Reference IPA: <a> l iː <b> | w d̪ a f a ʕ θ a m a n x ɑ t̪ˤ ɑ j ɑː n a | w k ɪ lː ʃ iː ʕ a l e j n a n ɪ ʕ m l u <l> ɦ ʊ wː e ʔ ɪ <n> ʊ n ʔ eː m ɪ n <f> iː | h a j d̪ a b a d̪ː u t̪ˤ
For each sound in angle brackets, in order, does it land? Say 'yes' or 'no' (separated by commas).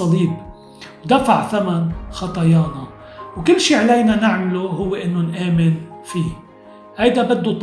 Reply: no, yes, no, no, yes